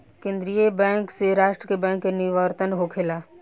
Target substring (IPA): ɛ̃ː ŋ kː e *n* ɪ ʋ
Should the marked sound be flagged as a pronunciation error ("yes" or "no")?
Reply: no